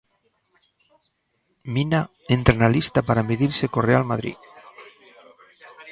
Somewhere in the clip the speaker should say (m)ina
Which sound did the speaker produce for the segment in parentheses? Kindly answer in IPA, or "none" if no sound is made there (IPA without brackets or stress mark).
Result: m